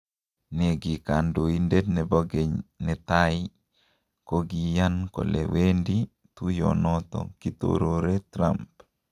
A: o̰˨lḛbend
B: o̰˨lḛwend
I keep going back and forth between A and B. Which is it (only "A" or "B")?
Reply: B